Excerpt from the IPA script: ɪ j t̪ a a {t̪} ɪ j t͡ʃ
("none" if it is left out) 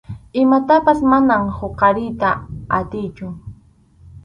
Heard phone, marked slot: t̪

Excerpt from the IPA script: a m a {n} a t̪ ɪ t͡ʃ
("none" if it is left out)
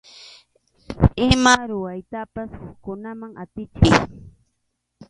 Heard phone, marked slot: ŋ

